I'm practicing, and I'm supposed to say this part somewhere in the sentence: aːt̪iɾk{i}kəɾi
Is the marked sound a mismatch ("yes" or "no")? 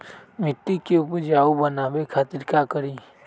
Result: yes